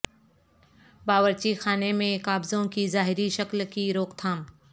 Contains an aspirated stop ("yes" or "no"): yes